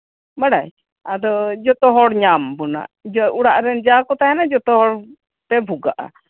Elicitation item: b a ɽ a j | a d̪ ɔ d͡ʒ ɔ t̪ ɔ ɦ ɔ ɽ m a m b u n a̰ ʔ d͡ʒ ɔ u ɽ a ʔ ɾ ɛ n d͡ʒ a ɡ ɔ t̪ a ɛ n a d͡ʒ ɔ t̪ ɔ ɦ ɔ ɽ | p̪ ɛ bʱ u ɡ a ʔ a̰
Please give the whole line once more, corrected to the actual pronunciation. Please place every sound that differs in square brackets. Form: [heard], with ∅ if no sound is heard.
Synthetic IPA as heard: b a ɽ a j | a d̪ ɔ d͡ʒ ɔ t̪ ɔ ɦ ɔ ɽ [ɲ] a m b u n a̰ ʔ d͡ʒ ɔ u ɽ a ʔ ɾ ɛ n d͡ʒ a [k] ɔ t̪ a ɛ n a d͡ʒ ɔ t̪ ɔ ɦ ɔ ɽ | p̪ ɛ bʱ u ɡ a ʔ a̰